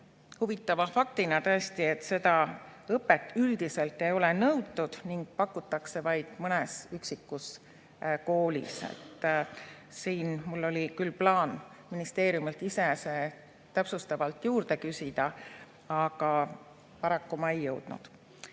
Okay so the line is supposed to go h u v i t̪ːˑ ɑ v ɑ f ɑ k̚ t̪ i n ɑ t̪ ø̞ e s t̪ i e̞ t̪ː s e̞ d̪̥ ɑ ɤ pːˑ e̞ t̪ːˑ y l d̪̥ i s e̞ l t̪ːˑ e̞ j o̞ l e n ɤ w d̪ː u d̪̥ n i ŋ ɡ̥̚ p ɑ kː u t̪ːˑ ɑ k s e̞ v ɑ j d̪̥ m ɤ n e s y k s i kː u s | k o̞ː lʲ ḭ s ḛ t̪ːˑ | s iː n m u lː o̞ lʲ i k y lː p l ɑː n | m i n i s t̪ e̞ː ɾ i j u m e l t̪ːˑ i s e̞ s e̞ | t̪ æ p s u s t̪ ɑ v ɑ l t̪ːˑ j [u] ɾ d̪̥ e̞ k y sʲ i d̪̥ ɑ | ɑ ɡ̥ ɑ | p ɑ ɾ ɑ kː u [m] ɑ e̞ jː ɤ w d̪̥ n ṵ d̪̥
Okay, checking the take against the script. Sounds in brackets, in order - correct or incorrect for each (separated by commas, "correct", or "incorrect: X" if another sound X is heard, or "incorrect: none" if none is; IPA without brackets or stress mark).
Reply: incorrect: uː, correct